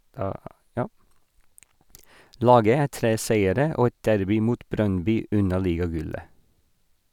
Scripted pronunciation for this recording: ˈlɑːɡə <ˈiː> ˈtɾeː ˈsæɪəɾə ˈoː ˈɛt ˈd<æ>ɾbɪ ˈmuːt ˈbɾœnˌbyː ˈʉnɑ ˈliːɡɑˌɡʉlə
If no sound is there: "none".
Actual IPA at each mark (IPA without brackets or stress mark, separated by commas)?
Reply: æː, æ